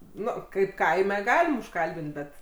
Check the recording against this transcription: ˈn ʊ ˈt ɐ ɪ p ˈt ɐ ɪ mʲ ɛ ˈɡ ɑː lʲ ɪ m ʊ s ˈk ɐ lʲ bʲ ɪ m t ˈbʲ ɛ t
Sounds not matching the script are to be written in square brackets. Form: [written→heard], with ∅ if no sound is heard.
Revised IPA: ˈn ʊ [ˈt→ˈk] ɐ ɪ p [ˈt→ˈk] ɐ ɪ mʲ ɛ ˈɡ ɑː lʲ ɪ m ʊ [s→ʃ] ˈk ɐ lʲ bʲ ɪ [m→n] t ˈbʲ ɛ t